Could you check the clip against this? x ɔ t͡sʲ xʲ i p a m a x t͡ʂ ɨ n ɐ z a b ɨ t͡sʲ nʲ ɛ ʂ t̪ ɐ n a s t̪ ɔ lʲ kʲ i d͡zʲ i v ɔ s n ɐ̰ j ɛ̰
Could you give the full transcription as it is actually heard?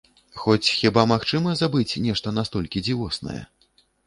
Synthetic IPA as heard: x ɔ t͡sʲ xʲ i b a m a x t͡ʂ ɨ m ɐ z a b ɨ t͡sʲ nʲ ɛ ʂ t̪ ɐ n a s t̪ ɔ lʲ kʲ i d͡zʲ i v ɔ s n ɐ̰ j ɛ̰